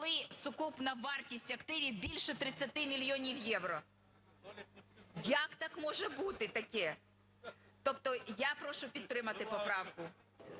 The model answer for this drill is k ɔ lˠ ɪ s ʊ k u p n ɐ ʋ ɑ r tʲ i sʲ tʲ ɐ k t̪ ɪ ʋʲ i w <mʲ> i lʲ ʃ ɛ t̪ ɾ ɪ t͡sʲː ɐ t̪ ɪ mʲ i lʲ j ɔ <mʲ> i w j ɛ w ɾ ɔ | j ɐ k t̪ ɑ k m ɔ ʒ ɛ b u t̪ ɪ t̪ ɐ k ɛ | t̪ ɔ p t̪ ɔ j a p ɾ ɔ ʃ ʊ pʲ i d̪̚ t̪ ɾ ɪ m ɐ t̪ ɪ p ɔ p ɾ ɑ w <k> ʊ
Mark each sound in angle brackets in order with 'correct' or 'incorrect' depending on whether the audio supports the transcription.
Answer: incorrect: bʲ, incorrect: nʲ, correct

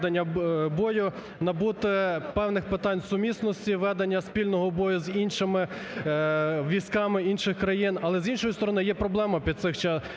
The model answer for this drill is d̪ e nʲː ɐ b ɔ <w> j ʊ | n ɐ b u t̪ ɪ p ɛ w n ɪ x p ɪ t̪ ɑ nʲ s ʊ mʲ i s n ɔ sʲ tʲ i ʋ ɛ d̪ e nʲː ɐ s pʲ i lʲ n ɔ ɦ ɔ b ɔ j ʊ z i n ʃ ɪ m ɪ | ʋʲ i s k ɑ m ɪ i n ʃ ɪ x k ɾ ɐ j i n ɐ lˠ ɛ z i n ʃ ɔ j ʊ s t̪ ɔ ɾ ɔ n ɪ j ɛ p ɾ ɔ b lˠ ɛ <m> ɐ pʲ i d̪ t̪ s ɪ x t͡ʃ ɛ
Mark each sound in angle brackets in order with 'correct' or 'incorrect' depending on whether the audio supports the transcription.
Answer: incorrect: none, correct

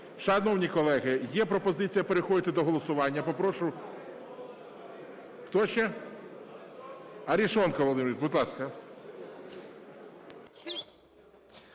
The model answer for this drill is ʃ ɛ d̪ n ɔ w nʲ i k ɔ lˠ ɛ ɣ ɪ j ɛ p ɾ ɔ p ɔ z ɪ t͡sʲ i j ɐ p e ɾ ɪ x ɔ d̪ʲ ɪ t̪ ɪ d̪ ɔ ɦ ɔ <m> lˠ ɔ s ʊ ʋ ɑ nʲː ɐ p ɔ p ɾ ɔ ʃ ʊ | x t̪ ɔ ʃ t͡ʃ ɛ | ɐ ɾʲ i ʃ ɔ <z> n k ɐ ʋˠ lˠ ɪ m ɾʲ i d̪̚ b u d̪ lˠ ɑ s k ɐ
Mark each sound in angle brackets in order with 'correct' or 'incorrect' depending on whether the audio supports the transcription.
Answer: incorrect: none, incorrect: none

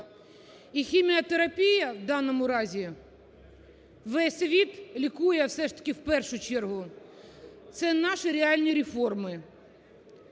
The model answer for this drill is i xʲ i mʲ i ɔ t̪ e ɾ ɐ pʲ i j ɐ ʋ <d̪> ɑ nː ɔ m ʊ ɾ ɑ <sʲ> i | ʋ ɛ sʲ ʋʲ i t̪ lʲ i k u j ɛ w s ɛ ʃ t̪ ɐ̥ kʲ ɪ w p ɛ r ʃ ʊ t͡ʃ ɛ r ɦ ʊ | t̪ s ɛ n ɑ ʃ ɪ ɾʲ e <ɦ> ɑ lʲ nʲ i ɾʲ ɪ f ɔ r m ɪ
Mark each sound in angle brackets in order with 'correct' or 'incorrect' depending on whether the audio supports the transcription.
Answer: correct, incorrect: zʲ, incorrect: none

